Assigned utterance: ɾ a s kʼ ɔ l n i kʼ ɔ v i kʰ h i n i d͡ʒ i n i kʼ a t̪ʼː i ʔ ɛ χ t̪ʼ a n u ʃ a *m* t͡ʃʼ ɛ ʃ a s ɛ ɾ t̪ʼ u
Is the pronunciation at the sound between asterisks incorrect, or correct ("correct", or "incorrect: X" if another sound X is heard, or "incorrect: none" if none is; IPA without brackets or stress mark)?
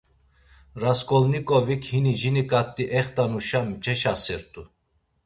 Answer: correct